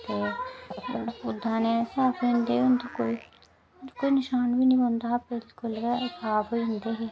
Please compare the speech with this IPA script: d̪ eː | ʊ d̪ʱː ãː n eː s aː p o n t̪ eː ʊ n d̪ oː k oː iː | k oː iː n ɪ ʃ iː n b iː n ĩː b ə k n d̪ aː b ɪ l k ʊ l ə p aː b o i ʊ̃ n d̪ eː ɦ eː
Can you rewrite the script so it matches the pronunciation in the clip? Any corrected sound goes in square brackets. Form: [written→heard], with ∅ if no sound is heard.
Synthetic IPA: [d̪→t̪] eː | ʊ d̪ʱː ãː n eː s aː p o n [t̪→d̪] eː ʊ n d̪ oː k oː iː | k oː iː n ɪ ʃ [iː→aː] n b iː n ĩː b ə [k→∅] n d̪ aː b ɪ l k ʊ l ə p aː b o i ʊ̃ n d̪ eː ɦ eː